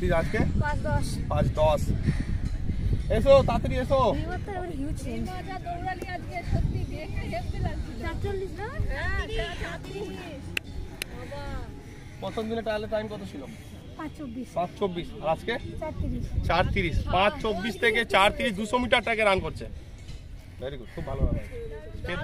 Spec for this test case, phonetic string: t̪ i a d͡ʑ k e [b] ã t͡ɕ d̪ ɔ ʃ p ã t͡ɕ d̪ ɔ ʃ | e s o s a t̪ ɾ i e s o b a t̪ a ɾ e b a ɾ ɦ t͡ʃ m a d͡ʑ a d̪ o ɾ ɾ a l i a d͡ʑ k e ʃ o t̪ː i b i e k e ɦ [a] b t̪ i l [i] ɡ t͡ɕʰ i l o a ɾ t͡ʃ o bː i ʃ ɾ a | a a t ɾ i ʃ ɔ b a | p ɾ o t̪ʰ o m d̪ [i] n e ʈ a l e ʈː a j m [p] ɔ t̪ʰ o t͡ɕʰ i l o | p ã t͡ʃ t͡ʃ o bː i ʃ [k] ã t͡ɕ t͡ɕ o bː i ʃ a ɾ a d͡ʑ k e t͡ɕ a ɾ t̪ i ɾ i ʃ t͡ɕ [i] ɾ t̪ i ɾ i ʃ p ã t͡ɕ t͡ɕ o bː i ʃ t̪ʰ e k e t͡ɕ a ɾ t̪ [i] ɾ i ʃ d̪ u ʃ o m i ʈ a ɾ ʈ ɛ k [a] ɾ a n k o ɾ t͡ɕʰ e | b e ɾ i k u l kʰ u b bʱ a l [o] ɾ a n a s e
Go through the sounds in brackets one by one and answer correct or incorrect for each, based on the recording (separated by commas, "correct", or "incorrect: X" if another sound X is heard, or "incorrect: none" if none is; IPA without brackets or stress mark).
incorrect: p, incorrect: e, incorrect: a, correct, incorrect: k, incorrect: p, incorrect: a, correct, incorrect: e, correct